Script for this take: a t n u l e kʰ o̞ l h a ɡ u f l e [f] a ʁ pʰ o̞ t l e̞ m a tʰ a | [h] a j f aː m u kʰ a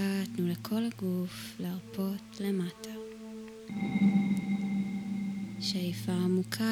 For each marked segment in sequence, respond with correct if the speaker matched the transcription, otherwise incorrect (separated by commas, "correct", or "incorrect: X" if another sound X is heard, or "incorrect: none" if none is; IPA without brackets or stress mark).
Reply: incorrect: none, incorrect: ʃ